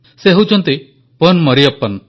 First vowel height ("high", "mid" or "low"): mid